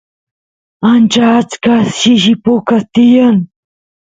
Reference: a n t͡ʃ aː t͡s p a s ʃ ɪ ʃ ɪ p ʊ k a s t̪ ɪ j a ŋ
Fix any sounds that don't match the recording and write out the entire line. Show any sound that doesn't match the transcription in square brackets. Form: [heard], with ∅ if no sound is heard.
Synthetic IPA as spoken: a n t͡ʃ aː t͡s [k] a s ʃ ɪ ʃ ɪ p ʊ k a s t̪ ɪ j a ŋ